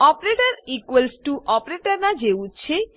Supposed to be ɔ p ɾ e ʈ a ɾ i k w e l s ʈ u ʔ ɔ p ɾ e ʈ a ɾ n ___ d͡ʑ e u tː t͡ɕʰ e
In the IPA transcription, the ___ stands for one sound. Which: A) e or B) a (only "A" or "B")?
B